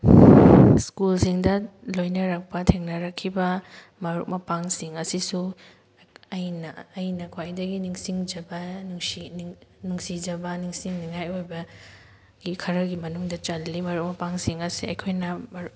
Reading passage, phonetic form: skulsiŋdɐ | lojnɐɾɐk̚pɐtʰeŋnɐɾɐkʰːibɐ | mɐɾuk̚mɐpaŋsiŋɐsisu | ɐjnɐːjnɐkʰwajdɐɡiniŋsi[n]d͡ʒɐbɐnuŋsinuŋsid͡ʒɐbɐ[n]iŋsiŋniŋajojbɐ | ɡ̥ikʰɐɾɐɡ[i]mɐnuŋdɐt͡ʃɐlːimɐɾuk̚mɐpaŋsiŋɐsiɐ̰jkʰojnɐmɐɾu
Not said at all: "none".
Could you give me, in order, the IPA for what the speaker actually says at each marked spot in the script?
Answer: ŋ, n, i

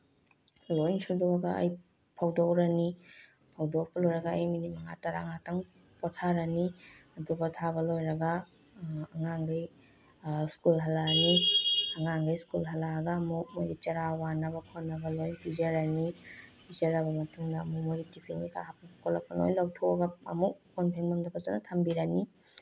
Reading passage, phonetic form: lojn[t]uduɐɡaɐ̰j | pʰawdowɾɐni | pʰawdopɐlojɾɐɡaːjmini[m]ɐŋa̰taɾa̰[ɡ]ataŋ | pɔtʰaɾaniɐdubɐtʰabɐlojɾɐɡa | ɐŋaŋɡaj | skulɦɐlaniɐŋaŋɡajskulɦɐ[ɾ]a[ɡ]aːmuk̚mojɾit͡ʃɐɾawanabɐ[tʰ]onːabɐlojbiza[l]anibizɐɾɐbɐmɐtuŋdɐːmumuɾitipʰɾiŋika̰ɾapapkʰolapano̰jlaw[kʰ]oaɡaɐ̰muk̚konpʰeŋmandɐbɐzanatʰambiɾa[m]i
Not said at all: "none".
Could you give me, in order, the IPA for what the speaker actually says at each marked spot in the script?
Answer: s, m, ŋ, l, ɡ, kʰ, ɾ, tʰ, n

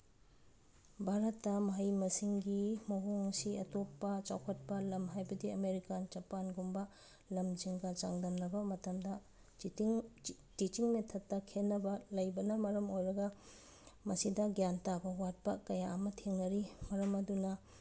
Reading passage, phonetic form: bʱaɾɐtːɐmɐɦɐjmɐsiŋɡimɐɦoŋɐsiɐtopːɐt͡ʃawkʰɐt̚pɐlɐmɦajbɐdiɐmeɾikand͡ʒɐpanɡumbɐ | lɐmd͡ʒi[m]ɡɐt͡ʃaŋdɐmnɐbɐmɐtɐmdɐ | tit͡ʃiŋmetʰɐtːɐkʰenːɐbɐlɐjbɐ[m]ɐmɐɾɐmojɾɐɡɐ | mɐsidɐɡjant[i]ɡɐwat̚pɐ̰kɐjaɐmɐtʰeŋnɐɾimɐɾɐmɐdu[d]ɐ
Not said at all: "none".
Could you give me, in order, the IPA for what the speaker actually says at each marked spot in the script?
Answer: ŋ, n, a, n

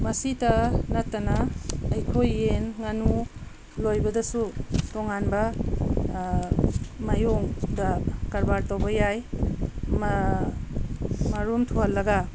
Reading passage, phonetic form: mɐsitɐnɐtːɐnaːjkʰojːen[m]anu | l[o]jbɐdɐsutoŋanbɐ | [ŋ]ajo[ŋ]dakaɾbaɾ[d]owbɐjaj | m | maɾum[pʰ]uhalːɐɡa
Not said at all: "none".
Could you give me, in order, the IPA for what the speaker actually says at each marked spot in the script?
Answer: ŋ, o, m, ŋ, t, tʰ

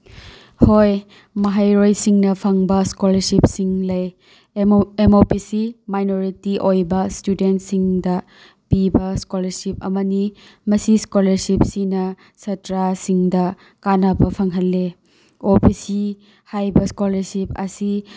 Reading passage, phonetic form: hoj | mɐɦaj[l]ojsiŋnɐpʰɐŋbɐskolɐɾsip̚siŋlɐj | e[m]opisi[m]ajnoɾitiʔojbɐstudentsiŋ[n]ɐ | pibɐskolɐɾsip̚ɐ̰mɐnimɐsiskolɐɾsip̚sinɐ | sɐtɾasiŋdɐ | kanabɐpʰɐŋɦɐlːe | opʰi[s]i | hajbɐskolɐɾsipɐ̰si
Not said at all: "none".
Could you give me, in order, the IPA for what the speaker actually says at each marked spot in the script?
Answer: ɾ, m, m, d, s

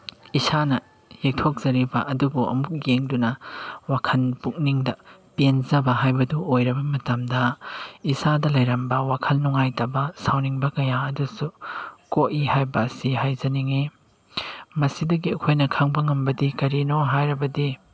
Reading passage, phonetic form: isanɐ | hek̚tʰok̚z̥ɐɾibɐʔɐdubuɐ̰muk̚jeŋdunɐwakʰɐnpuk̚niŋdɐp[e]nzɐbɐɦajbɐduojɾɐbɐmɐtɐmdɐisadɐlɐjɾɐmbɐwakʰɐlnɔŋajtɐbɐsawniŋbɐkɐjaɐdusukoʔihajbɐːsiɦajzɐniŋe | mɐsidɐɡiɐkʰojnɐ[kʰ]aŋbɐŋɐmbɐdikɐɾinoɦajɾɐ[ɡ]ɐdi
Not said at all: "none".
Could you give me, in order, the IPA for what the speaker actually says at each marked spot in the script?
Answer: e, kʰ, b

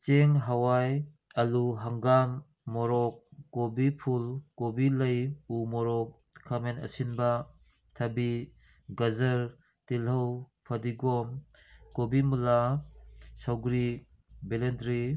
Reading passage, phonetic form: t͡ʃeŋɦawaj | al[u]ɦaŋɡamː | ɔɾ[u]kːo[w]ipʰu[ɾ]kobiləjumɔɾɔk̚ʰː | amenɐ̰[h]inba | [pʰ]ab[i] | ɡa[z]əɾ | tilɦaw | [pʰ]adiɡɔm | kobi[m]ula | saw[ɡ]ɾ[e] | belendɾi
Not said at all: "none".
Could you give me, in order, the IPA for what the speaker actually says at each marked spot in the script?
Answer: u, ɔ, b, l, s, tʰ, i, z, pʰ, m, ɡ, i

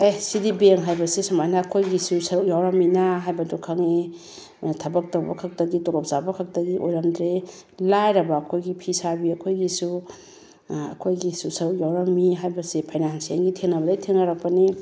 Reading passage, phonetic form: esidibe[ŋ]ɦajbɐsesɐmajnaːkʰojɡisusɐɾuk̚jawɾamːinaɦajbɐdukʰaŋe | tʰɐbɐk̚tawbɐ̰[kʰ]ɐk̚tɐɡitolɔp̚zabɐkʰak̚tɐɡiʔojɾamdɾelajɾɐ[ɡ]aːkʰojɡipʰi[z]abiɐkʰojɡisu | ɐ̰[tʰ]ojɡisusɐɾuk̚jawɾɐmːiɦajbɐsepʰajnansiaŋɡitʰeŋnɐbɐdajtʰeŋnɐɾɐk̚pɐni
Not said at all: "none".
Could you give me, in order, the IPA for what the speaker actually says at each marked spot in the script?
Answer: ŋ, kʰ, b, s, kʰ

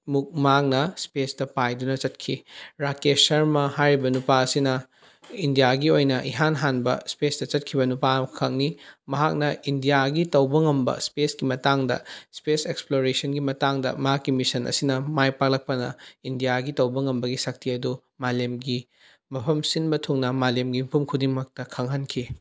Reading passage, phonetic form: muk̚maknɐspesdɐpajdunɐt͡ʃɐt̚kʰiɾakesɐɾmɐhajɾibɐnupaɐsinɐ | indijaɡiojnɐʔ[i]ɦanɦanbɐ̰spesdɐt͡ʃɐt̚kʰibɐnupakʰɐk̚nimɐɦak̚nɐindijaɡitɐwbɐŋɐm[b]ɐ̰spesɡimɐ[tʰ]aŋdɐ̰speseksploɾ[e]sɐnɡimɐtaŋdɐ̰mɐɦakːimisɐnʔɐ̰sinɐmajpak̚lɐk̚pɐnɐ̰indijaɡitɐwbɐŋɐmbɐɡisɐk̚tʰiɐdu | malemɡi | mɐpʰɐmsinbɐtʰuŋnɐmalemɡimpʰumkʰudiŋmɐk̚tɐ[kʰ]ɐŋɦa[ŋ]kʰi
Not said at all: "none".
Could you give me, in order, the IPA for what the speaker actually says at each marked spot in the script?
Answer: i, b, t, e, kʰ, n

